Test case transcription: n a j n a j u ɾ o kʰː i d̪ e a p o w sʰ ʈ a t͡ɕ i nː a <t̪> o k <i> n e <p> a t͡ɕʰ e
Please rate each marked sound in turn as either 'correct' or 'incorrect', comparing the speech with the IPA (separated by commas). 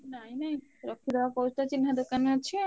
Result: incorrect, incorrect, incorrect